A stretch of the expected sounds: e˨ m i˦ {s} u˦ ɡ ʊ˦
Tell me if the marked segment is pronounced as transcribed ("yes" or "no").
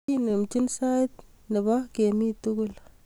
no